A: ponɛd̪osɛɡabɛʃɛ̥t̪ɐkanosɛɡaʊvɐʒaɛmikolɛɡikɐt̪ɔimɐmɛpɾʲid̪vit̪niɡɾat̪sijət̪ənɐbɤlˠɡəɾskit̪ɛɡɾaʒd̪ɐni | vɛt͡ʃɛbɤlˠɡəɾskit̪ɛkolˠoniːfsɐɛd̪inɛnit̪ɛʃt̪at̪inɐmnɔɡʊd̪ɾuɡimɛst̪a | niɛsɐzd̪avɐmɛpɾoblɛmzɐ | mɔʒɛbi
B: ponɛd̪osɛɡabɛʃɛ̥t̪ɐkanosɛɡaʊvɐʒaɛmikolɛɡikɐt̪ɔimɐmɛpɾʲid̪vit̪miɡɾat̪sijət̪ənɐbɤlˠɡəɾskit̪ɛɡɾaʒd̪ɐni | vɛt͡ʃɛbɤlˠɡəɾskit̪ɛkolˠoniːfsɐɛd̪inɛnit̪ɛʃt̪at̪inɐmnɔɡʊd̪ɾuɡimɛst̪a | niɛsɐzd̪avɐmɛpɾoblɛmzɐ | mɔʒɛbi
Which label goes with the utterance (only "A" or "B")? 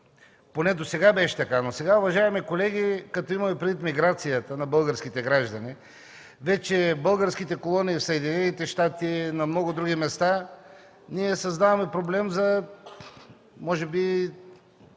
B